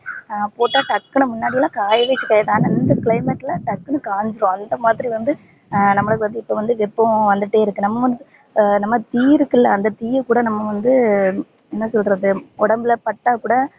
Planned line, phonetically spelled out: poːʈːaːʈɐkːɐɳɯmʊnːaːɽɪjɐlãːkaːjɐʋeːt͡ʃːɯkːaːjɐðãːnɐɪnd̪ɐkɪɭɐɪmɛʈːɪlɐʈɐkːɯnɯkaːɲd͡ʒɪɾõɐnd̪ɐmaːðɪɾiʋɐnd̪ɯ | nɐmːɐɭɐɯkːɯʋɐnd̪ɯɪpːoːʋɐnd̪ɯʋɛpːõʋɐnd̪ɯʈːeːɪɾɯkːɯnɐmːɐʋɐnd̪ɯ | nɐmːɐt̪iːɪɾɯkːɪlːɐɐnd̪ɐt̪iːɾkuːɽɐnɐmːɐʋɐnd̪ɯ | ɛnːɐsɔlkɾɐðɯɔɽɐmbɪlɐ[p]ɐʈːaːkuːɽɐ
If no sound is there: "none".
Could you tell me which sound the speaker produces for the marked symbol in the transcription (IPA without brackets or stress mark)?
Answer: p